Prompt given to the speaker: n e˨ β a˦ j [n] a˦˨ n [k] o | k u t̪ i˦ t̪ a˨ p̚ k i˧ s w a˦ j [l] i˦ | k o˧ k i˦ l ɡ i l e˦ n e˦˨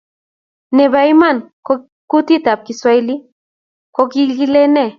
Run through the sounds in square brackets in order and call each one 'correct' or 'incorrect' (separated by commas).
incorrect, correct, correct